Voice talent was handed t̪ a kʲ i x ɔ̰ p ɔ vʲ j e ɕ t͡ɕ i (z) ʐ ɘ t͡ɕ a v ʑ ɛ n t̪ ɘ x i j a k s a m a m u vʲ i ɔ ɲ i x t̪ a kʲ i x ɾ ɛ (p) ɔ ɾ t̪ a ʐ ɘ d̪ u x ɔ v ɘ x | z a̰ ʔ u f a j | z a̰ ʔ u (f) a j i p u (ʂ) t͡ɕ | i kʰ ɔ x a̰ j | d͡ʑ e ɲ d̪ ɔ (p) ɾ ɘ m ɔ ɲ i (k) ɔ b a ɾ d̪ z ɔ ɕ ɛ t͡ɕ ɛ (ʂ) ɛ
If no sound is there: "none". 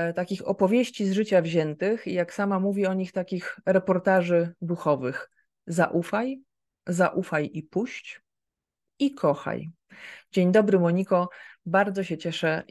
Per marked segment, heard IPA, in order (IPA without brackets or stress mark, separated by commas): z, p, f, ɕ, b, k, ʂ